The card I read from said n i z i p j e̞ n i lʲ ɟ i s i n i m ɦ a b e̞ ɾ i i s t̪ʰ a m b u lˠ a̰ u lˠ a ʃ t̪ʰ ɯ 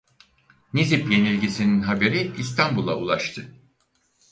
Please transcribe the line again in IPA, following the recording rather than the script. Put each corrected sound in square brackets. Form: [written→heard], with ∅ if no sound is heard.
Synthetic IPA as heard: n i z i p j e̞ n i lʲ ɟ i s i n i [m→n] ɦ a b e̞ ɾ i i s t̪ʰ a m b u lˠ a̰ u lˠ a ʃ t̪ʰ ɯ